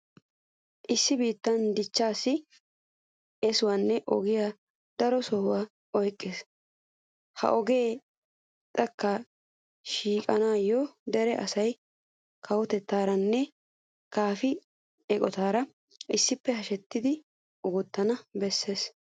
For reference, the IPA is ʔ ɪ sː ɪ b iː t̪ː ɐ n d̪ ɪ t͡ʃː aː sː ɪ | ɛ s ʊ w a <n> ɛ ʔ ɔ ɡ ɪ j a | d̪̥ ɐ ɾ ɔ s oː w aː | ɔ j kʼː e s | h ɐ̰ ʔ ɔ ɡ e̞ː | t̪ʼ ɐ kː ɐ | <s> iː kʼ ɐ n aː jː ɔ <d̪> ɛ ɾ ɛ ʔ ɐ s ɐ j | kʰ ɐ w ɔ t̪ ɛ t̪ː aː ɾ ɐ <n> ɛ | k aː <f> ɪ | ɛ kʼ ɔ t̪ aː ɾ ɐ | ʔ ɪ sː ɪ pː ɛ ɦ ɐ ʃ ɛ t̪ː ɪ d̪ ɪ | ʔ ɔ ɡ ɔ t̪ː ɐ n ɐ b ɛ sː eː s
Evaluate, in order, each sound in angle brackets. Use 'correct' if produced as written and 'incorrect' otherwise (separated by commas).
incorrect, incorrect, correct, incorrect, correct